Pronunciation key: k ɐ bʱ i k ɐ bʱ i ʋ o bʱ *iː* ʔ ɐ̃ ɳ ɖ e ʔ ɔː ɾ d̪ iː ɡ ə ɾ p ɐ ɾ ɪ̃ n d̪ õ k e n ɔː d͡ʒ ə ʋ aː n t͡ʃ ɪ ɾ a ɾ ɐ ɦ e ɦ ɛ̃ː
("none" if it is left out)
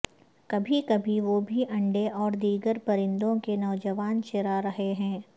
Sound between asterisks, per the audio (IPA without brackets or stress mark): i